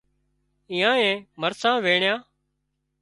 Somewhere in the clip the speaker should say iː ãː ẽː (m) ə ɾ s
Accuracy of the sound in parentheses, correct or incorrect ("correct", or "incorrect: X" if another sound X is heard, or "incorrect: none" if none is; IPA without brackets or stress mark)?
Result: correct